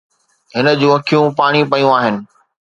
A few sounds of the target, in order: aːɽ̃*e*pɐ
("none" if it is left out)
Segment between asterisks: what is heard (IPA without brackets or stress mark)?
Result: i